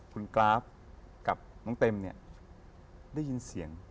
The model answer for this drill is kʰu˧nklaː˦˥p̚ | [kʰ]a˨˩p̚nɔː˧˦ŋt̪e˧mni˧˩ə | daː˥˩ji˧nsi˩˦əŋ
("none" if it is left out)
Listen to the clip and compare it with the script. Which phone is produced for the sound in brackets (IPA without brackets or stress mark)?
k